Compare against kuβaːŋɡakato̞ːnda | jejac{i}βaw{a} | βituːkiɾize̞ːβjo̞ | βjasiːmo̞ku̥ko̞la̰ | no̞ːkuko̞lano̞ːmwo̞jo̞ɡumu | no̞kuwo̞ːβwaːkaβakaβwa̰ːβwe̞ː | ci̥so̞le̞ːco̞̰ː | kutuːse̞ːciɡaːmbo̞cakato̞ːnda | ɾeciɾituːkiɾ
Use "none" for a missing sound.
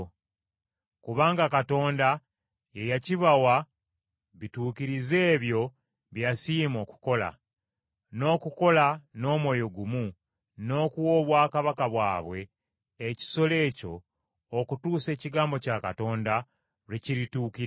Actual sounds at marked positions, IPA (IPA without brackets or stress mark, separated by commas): i, a